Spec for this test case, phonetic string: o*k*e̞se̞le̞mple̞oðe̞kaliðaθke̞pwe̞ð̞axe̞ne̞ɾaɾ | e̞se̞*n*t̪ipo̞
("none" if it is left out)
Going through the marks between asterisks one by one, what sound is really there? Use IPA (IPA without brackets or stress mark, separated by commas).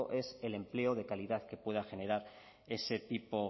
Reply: ʔ, none